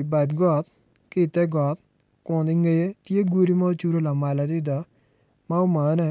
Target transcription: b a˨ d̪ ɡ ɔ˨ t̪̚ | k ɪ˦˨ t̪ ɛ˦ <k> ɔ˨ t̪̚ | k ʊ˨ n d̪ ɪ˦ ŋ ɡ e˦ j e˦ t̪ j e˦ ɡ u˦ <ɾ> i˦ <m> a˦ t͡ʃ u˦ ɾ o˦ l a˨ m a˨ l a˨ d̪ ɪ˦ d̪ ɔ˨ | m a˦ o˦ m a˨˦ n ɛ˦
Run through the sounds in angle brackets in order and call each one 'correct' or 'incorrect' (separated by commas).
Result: incorrect, correct, correct